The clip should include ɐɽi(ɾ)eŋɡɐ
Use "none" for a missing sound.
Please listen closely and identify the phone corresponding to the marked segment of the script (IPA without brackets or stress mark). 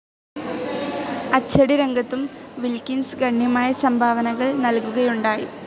ɾ